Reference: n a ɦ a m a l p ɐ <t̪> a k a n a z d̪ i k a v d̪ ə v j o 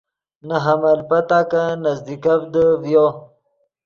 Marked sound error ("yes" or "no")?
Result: no